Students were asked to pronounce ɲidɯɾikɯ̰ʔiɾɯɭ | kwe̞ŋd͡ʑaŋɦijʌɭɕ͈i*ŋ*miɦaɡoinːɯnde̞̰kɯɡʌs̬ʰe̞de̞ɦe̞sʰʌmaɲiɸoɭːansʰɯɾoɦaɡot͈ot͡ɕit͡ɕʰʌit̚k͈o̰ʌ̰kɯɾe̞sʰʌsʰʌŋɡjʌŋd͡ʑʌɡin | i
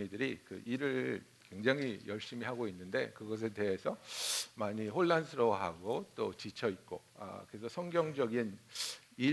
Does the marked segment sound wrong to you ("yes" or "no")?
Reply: yes